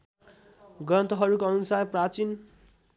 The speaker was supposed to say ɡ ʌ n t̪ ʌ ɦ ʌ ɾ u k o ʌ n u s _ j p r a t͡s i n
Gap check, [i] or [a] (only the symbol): a